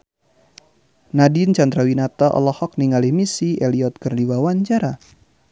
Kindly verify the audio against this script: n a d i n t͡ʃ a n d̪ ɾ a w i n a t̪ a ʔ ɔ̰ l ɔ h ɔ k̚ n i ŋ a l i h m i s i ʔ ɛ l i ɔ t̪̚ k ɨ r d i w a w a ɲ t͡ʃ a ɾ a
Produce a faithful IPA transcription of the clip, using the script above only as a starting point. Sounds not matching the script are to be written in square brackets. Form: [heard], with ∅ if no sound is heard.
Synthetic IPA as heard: n a d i n t͡ʃ a n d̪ ɾ a w i n a t̪ a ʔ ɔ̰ l ɔ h ɔ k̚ n i ŋ a l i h m i s i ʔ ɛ l i ɔ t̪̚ k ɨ r d i w a w a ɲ t͡ʃ a ɾ a